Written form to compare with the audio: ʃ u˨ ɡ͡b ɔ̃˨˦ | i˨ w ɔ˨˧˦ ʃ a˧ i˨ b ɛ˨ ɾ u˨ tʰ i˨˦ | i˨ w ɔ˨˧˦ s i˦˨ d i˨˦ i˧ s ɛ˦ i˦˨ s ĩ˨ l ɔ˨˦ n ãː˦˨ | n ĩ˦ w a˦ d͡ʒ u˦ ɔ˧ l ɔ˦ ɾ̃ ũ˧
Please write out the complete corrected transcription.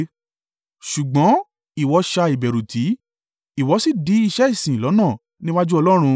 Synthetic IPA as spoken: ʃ u˨ ɡ͡b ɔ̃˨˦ | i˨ w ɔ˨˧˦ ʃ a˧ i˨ b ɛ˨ ɾ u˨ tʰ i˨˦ | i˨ w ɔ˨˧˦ s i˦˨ d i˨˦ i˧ ʃ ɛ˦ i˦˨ s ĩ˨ l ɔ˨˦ n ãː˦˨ | n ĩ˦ w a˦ d͡ʒ u˦ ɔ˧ l ɔ˦ ɾ̃ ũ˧